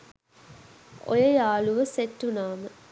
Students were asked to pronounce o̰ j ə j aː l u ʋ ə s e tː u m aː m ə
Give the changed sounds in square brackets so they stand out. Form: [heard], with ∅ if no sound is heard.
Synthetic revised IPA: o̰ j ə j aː l u ʋ ə s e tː u [n] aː m ə